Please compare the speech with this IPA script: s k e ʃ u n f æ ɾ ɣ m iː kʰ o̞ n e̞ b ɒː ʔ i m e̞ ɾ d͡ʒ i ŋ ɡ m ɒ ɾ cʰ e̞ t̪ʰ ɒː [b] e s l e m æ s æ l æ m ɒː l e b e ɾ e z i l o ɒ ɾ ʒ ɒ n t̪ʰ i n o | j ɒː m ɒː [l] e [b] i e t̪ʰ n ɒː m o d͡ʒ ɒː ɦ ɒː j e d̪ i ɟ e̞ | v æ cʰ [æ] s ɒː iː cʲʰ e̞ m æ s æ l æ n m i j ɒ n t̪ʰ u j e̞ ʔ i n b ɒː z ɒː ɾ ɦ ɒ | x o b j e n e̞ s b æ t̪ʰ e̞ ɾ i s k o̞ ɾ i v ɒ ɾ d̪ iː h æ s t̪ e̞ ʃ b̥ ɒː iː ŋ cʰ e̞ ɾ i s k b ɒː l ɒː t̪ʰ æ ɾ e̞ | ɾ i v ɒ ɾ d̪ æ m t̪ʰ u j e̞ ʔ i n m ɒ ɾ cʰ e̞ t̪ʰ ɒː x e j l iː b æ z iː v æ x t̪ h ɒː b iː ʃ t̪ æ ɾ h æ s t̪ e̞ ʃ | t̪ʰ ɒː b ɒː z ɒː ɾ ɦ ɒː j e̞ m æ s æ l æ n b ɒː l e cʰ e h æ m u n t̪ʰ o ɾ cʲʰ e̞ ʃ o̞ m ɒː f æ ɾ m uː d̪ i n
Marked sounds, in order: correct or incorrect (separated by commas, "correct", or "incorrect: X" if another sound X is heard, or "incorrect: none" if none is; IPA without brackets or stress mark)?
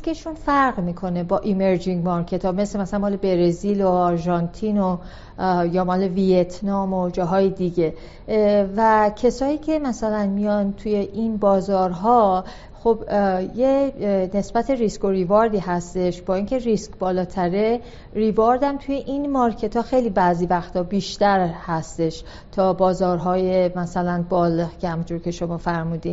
incorrect: m, correct, incorrect: v, incorrect: e